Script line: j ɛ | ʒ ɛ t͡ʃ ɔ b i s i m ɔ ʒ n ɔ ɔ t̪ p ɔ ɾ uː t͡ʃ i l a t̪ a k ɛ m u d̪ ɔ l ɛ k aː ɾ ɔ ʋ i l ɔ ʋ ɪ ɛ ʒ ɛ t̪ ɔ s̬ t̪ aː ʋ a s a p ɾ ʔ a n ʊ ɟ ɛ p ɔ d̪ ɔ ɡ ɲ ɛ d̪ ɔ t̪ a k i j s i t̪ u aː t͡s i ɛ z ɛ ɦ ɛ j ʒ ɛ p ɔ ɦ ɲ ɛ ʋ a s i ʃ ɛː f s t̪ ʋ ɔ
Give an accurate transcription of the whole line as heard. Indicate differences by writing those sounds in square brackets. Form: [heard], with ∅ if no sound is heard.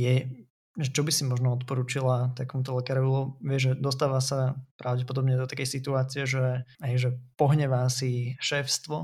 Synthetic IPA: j ɛ | ʒ ɛ t͡ʃ ɔ b i s i m ɔ ʒ n ɔ ɔ t̪ p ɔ ɾ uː t͡ʃ i l a t̪ a k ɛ m u [t̪] ɔ l ɛ k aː ɾ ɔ ʋ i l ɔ ʋ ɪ ɛ ʒ ɛ [d̪] ɔ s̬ t̪ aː ʋ a s a p ɾ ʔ a [∅] ʊ ɟ ɛ p ɔ d̪ ɔ [b] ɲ ɛ d̪ ɔ t̪ a k [ɛ] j s i t̪ u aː t͡s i ɛ [ʒ] ɛ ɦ ɛ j ʒ ɛ p ɔ ɦ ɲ ɛ ʋ a s i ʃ ɛː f s t̪ ʋ ɔ